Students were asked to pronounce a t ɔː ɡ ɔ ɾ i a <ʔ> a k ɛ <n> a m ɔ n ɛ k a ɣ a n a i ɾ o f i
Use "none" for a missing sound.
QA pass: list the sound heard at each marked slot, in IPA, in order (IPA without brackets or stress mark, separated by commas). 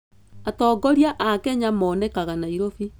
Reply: ʔ, ɲ